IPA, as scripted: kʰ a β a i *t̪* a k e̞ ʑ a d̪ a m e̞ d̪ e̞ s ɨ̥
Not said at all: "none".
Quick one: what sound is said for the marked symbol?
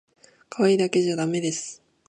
d̪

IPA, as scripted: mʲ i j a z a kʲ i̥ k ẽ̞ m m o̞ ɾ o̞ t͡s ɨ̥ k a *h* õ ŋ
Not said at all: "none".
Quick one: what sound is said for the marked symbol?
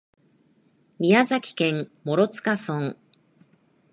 s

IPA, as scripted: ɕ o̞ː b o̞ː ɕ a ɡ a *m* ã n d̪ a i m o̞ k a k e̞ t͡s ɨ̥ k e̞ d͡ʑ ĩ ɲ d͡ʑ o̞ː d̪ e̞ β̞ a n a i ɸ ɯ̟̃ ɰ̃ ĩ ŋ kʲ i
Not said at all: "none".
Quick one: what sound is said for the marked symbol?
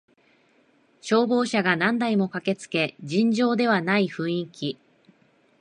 n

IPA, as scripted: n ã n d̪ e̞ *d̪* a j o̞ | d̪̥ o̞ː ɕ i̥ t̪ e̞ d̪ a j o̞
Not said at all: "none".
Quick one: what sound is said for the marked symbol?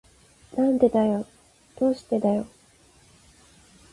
d̪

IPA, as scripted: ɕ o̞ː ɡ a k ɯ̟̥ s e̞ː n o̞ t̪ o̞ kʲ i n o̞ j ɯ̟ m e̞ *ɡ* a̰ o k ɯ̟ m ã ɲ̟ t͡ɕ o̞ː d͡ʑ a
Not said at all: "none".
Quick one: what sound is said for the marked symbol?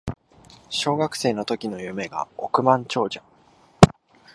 ɡ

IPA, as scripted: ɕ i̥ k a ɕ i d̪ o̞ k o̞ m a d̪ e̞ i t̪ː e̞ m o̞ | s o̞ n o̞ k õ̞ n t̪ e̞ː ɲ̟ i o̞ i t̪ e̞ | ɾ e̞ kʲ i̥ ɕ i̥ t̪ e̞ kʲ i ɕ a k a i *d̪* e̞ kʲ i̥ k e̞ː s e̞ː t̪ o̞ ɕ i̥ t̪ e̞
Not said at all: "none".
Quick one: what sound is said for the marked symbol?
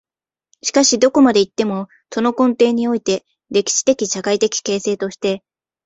t̪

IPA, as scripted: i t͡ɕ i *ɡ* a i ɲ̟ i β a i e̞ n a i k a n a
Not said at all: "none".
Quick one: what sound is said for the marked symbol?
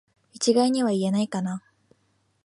ɡ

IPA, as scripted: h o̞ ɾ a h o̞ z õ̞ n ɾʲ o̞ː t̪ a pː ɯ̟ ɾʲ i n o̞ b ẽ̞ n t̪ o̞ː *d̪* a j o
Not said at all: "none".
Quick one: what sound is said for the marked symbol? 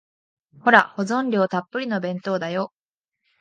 d̪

